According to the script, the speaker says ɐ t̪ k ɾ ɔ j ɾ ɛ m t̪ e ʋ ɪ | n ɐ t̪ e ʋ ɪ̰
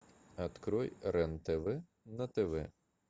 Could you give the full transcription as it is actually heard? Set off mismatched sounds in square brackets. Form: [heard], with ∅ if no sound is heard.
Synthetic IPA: ɐ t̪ k ɾ ɔ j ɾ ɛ [n] t̪ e ʋ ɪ | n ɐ t̪ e ʋ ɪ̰